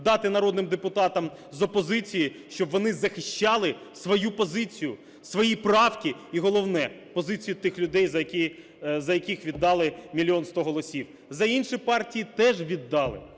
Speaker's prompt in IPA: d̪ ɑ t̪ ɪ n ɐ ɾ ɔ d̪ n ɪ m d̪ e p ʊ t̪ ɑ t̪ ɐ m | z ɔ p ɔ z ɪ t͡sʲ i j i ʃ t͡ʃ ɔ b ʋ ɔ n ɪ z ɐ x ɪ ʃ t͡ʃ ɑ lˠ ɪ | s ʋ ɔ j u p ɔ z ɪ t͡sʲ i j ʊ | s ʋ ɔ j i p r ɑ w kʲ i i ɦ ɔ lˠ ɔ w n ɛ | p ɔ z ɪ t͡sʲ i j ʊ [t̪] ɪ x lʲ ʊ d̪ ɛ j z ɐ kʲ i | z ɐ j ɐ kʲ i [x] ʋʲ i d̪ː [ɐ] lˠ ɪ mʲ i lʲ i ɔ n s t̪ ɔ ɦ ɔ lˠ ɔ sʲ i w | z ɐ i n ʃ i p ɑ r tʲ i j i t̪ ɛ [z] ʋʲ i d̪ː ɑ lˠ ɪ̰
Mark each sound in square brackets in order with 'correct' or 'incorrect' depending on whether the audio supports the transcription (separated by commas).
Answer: correct, correct, incorrect, incorrect